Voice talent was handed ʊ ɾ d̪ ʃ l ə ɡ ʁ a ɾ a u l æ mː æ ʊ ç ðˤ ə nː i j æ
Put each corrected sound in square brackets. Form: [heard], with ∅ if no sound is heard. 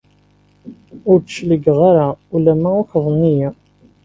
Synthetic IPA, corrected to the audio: ʊ ɾ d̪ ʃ l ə ɡ ʁ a ɾ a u l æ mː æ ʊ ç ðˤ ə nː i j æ